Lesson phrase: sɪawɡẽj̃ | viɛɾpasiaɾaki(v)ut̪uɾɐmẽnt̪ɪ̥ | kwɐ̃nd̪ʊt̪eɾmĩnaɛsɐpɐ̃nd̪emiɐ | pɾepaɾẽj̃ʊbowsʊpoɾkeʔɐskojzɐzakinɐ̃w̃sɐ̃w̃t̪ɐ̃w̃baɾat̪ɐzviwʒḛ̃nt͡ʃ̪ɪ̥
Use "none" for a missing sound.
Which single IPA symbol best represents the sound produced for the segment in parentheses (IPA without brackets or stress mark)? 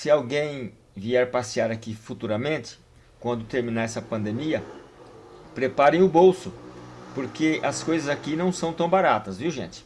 f